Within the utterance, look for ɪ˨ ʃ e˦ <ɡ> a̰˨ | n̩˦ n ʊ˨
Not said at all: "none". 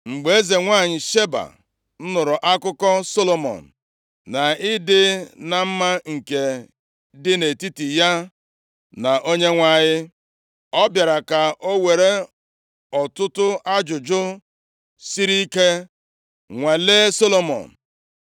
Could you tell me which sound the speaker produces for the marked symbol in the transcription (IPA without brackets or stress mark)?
b